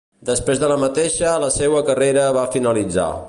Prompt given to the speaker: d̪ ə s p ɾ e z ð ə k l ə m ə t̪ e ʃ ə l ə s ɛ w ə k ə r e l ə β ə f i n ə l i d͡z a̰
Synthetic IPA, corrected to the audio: d̪ ə s p ɾ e z ð ə l ə m ə t̪ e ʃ ə l ə s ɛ w ə k ə r e ɾ ə β a f i n ə l i d͡z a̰